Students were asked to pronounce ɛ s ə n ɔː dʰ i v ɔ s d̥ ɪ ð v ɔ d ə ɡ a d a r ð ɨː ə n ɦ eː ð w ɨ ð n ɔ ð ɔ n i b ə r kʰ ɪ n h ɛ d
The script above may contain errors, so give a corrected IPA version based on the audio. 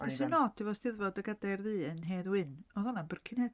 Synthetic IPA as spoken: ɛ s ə n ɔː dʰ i v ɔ s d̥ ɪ ð v ɔ d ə ɡ a d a r ð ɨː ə n ɦ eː ð w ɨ n ɔ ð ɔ n a b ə r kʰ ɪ n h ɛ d